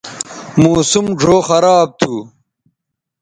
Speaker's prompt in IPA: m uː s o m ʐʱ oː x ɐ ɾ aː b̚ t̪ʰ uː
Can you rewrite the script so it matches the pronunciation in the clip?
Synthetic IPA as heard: m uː s u m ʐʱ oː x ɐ ɾ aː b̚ t̪ʰ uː